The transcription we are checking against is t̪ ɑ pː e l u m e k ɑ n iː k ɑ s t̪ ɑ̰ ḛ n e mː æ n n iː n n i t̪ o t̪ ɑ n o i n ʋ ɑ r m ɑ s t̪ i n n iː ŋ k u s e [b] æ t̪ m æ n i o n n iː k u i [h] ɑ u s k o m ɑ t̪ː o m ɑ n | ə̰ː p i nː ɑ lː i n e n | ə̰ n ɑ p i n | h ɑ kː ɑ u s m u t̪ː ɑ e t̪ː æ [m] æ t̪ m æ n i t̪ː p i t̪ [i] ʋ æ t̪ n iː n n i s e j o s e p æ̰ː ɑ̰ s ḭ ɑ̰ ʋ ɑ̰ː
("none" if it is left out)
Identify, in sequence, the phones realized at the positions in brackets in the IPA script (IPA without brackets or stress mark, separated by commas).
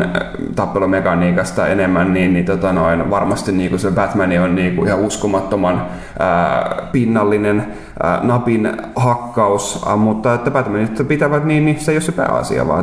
b, h, b, æ